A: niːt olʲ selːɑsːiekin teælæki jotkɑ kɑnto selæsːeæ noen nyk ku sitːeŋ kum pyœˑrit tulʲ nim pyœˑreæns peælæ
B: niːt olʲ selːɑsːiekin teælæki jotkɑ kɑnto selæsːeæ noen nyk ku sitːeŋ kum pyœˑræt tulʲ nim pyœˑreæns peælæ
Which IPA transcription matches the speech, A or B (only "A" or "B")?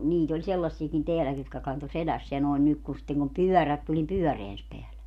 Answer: B